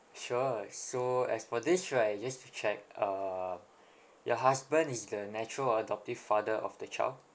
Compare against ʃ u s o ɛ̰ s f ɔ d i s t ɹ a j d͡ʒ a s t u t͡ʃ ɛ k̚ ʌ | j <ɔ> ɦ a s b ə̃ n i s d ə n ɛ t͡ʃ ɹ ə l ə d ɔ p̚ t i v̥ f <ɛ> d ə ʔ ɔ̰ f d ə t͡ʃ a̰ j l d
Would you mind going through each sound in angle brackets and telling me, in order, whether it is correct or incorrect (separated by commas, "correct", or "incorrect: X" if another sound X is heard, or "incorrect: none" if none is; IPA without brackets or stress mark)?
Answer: correct, incorrect: a